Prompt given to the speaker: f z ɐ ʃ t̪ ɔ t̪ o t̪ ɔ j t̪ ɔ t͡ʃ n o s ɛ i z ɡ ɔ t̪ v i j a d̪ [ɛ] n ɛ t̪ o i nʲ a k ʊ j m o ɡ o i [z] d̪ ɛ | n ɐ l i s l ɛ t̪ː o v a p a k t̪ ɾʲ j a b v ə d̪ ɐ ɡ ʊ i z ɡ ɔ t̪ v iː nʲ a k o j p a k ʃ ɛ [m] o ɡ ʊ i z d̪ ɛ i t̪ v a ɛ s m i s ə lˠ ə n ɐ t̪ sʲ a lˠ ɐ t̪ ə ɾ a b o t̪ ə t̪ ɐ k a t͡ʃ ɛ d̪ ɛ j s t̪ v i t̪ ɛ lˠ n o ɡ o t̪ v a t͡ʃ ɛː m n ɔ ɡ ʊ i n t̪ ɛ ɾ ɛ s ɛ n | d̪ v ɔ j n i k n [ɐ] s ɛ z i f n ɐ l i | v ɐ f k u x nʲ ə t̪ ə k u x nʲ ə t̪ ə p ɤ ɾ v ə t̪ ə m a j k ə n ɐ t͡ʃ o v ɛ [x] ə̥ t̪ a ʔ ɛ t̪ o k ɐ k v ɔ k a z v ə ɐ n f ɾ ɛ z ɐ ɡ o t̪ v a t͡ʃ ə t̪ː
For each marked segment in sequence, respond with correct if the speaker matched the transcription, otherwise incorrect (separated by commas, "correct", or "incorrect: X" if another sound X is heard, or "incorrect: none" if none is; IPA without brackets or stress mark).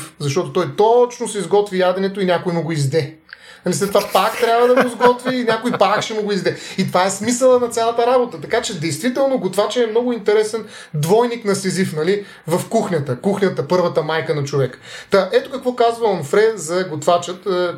correct, correct, correct, correct, incorrect: k